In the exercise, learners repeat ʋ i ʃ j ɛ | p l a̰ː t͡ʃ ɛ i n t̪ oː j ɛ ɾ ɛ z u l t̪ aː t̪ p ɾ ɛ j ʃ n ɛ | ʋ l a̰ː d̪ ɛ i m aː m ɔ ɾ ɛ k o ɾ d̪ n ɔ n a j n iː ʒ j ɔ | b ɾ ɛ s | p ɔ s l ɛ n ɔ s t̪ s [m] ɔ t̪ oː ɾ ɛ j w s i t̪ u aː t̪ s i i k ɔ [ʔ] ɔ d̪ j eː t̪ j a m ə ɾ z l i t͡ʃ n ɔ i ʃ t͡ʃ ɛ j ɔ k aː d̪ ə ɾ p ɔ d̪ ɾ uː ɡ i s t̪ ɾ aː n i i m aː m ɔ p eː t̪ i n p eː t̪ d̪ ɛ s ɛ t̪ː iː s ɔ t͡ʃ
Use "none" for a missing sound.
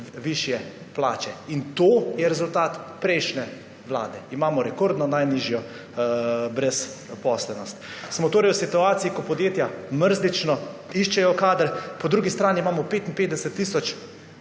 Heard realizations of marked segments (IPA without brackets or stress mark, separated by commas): m, p